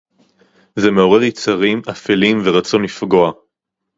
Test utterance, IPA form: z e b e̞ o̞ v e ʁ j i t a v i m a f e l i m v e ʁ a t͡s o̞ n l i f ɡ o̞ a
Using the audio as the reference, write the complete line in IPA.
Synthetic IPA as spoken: z e m e̞ o̞ ʁ e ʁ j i t͡s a ʁ i m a f e l i m v e ʁ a t͡s o̞ n l i f ɡ o̞ a